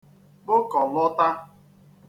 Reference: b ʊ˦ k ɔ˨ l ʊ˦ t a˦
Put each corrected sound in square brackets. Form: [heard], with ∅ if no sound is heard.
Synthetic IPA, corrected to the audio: b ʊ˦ k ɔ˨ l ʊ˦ t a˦